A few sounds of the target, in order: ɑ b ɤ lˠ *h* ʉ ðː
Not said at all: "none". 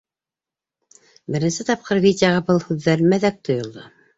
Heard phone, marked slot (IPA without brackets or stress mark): h